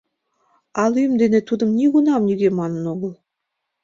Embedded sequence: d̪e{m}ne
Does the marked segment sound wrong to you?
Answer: yes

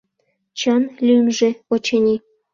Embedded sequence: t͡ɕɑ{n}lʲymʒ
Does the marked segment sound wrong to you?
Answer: no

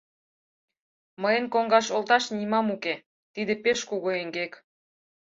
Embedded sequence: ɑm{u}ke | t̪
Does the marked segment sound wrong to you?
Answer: no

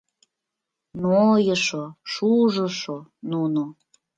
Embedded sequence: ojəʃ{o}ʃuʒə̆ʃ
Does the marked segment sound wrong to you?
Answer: no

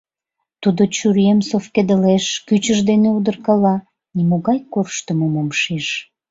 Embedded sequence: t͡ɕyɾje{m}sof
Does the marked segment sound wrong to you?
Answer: no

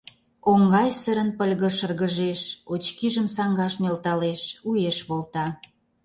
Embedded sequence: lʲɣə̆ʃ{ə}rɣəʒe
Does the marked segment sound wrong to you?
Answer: no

